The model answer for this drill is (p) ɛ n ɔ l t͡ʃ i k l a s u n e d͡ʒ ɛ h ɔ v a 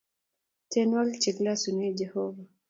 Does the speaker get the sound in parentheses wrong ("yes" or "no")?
yes